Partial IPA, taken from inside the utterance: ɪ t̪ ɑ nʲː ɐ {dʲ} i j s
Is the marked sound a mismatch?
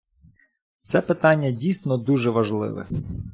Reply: no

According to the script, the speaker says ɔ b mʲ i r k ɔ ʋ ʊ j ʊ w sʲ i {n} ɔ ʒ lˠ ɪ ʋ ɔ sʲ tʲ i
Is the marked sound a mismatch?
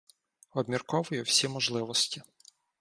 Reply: yes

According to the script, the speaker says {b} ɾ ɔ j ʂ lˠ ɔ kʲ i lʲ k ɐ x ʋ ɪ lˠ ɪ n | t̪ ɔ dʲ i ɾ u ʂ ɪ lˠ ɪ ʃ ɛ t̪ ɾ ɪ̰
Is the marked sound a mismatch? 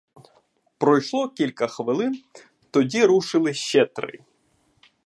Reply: yes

